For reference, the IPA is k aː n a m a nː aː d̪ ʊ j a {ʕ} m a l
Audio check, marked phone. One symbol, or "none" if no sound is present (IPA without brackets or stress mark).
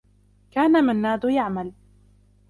ʕ